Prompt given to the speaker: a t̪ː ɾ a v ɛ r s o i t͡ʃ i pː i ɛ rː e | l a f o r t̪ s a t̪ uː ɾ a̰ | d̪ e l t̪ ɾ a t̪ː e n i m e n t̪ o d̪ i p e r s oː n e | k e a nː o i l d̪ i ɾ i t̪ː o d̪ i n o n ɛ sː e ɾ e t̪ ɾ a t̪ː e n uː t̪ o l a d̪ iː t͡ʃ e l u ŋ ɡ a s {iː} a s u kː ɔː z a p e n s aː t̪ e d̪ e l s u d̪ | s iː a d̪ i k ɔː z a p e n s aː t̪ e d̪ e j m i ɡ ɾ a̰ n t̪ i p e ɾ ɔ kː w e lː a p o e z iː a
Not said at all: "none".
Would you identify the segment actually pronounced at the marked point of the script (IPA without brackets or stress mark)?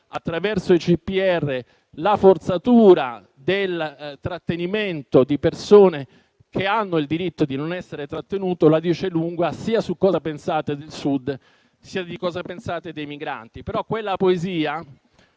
iː